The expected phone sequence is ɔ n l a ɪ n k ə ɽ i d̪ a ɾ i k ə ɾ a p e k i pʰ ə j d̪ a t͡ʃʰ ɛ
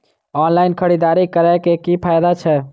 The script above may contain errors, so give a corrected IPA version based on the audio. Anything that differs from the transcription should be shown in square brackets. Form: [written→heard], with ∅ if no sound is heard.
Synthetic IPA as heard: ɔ n l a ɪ n [k→kʰ] ə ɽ i d̪ a ɾ i k ə ɾ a [p→k] e k i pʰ [ə→a] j d̪ a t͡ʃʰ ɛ